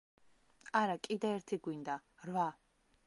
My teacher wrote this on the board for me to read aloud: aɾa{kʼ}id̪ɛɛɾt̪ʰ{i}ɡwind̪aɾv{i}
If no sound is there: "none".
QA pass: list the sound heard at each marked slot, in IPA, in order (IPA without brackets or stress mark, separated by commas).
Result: kʼ, i, a